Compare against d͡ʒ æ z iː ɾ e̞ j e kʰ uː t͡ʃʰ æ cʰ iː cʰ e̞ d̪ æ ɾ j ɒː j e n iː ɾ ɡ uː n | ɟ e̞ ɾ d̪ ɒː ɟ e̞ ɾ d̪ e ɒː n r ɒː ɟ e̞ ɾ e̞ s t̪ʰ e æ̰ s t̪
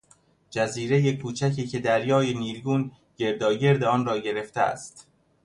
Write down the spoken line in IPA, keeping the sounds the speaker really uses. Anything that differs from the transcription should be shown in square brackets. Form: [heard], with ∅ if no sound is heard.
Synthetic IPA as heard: d͡ʒ æ z iː ɾ e̞ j e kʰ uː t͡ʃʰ æ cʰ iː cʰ e̞ d̪ æ ɾ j ɒː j e n iː ɾ ɡ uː n | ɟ e̞ ɾ d̪ ɒː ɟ e̞ ɾ d̪ e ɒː n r ɒː ɟ e̞ ɾ e̞ [f] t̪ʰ e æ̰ s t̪